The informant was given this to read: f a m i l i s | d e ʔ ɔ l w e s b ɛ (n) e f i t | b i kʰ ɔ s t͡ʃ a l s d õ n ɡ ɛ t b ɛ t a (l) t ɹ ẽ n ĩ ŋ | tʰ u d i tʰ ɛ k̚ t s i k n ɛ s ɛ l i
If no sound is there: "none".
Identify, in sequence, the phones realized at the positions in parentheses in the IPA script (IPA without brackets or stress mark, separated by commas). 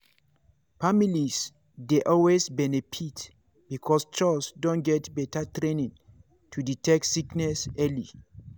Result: n, none